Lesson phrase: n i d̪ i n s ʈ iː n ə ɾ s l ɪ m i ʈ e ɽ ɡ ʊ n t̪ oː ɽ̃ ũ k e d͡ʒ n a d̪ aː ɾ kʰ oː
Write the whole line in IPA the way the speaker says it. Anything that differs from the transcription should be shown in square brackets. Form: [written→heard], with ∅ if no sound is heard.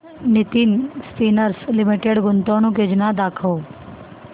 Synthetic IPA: n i [d̪→t̪] i n s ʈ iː n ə ɾ s l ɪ m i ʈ e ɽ ɡ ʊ n t̪ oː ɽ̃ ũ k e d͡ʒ n a d̪ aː [ɾ→∅] kʰ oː